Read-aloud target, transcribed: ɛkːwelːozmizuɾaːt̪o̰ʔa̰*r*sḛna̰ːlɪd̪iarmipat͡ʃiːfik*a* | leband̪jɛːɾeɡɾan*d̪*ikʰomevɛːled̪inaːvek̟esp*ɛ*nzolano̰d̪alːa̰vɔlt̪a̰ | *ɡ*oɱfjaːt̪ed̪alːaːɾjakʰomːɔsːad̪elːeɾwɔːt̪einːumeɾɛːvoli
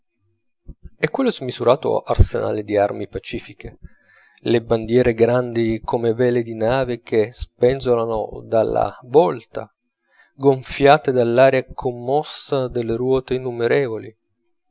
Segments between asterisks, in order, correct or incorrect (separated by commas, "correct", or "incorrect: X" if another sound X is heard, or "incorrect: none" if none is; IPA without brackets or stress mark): correct, incorrect: e, correct, correct, correct